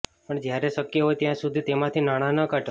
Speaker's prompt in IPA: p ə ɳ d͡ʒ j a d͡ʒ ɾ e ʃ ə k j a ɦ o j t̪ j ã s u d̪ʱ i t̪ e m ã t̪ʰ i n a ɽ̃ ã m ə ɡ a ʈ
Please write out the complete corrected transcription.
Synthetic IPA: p ə ɳ d͡ʒ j a ɾ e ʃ ə k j ə ɦ o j t̪ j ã s u d̪ʱ i t̪ e m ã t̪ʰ i n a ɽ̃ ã n ə k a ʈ